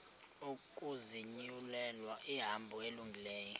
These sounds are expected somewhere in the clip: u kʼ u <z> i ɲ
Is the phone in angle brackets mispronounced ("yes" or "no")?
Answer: no